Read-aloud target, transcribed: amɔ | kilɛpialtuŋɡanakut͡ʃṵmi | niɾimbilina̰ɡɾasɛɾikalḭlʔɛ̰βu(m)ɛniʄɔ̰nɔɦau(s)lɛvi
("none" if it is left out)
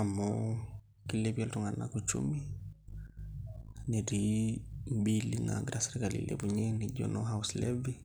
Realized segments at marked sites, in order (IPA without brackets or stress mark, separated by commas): ɲ, s